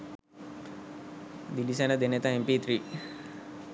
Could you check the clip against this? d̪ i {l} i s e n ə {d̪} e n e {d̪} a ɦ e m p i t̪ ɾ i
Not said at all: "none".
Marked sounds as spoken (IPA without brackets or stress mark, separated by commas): l, d̪, t̪